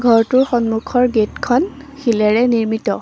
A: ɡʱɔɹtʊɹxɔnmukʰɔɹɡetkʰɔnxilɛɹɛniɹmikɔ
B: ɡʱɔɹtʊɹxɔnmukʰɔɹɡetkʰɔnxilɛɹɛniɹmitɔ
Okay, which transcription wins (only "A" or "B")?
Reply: B